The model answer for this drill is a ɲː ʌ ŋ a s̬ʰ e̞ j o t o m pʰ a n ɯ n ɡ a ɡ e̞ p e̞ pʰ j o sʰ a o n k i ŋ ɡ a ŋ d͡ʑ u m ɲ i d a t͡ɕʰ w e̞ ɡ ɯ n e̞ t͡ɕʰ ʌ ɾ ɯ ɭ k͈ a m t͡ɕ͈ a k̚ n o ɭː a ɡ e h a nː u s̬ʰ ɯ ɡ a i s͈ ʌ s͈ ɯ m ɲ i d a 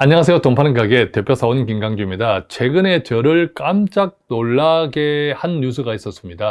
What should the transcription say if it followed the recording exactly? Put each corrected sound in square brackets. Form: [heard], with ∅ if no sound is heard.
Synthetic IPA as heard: a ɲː ʌ ŋ a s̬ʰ e̞ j o t o m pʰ a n ɯ n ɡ a ɡ e̞ [t] e̞ pʰ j o sʰ a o n k i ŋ ɡ a ŋ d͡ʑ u m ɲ i d a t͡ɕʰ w e̞ ɡ ɯ n e̞ [t͡ɕ] ʌ ɾ ɯ ɭ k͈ a m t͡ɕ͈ a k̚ n o ɭː a ɡ e h a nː u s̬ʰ ɯ ɡ a i s͈ ʌ s͈ ɯ m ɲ i d a